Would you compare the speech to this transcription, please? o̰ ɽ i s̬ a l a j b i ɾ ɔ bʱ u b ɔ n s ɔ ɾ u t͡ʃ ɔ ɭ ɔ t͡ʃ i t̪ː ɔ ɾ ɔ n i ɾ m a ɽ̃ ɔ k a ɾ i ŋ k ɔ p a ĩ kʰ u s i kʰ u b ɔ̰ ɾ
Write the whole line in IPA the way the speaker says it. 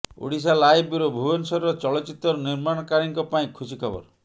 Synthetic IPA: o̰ ɽ i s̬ a l a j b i ɾ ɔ bʱ u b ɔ n s ɔ ɾ ɔ t͡ʃ ɔ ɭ ɔ t͡ʃ i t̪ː ɔ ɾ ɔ n i ɾ m a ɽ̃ ɔ k a ɾ i ŋ k ɔ p a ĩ kʰ u s i kʰ ɔ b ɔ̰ ɾ